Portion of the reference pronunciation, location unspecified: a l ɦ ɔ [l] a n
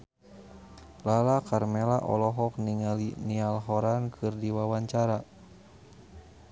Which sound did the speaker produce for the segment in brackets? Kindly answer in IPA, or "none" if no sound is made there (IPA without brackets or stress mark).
ɾ